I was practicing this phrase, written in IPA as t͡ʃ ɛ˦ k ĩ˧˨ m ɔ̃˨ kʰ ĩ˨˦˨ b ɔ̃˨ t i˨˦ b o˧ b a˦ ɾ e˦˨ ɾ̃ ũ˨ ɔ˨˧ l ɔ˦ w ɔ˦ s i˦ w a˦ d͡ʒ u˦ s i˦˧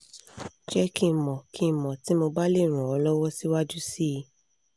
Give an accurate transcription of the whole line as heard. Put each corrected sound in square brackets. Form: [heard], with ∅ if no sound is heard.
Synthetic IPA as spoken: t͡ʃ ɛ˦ k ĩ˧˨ m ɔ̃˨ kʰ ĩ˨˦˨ [m] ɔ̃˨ t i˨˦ [m] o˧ b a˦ [l] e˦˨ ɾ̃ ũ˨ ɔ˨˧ l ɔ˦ w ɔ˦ s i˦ w a˦ d͡ʒ u˦ s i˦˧